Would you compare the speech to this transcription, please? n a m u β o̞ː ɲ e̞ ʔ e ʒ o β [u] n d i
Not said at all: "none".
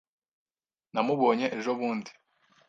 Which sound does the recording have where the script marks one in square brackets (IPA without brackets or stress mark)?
uː